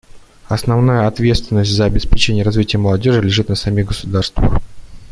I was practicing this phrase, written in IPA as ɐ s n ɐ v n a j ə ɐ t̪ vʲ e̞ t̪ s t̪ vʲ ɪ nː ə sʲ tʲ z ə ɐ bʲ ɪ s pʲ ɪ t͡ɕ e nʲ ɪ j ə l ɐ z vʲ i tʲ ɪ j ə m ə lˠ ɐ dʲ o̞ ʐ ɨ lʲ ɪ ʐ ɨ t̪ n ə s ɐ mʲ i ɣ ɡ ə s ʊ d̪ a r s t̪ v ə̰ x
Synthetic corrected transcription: ɐ s n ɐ v n a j ə ɐ t̪ vʲ e̞ t̪ s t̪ vʲ ɪ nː ə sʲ tʲ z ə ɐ bʲ ɪ s pʲ ɪ t͡ɕ e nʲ ɪ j ə ɾ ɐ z vʲ i tʲ ɪ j ə m ə lˠ ɐ dʲ o̞ ʐ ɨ lʲ ɪ ʐ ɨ t̪ n ə s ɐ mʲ i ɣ ɡ ə s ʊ d̪ a r s t̪ v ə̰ x